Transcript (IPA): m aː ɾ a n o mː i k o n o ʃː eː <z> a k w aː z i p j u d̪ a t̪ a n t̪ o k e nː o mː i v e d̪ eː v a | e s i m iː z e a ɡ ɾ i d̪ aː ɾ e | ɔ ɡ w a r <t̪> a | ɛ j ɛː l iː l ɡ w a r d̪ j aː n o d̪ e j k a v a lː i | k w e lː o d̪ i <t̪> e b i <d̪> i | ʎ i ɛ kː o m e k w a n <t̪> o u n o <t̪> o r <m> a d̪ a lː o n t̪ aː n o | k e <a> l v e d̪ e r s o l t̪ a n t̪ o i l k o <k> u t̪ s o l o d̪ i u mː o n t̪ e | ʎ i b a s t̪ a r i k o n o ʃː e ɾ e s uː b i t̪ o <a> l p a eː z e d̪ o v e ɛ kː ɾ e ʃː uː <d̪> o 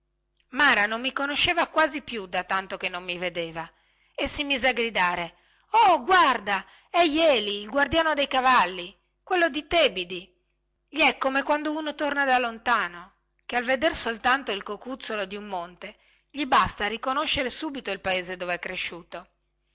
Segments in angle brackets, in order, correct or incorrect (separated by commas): incorrect, incorrect, correct, correct, incorrect, correct, incorrect, correct, correct, incorrect, incorrect